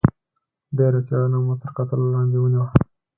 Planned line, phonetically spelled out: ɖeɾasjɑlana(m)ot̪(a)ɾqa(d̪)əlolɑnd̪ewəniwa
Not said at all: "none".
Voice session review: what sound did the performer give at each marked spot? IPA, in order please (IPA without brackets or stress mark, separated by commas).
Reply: m, ə, t̪